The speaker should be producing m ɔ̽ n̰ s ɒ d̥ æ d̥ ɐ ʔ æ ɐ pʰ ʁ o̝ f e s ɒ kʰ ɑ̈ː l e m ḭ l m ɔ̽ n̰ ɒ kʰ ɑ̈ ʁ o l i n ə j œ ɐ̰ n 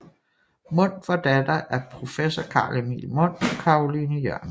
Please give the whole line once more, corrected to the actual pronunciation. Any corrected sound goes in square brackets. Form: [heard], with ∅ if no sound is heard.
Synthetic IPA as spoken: m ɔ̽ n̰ [f] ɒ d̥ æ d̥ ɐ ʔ æ ɐ pʰ ʁ o̝ f e s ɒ kʰ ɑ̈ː l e m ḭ l m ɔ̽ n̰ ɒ kʰ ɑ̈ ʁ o l i n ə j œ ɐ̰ n